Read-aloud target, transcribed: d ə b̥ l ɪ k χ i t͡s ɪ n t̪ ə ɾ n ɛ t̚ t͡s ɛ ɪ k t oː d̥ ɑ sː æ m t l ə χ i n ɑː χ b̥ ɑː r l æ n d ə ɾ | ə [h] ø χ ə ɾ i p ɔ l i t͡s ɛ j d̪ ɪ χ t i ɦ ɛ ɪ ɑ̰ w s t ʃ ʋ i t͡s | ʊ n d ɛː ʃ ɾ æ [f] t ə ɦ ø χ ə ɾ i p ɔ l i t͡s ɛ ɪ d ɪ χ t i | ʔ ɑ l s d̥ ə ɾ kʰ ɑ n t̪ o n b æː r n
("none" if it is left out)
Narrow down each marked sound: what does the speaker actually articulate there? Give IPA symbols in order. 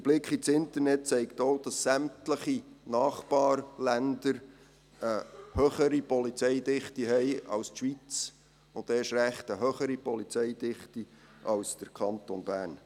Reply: h, χ

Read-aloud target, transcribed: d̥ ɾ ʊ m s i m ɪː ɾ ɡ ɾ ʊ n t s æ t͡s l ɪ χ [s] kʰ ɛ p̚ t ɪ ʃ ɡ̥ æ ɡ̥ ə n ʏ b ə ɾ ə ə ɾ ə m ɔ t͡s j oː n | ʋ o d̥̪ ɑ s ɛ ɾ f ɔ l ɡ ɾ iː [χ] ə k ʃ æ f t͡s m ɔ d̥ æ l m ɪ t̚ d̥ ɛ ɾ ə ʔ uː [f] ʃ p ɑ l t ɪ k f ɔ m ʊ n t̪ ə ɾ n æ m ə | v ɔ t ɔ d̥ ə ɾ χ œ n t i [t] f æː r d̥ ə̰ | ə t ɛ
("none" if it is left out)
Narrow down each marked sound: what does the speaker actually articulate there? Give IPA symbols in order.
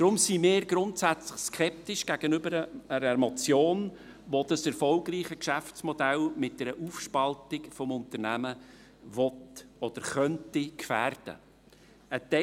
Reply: s, χ, f, k

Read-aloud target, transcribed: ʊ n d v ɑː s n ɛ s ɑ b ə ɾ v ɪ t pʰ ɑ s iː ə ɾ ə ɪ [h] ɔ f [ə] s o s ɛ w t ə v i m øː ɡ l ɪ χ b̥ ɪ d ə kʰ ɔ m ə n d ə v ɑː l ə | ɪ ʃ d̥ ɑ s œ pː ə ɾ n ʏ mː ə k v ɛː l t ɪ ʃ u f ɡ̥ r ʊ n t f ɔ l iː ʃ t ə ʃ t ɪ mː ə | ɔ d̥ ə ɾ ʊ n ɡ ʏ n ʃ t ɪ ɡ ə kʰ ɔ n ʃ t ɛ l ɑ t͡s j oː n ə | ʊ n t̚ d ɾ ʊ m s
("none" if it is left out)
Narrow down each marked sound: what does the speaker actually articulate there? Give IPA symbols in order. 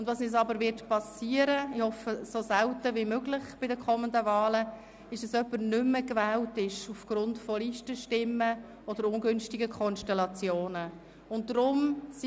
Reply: h, ə

